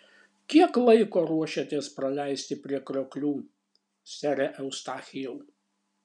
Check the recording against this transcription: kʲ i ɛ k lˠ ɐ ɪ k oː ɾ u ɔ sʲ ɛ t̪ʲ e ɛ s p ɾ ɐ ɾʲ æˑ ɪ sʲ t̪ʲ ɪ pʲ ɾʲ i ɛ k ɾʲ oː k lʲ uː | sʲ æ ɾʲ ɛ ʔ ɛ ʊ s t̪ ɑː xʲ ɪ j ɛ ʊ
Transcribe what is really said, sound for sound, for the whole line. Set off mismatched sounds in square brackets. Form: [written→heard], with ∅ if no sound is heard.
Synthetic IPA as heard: kʲ i ɛ k lˠ ɐ ɪ k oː ɾ u ɔ [sʲ→ʃʲ] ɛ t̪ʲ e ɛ s p ɾ ɐ [ɾʲ→lʲ] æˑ ɪ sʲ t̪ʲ ɪ pʲ ɾʲ i ɛ k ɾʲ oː k lʲ uː | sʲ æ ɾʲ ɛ ʔ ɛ ʊ s t̪ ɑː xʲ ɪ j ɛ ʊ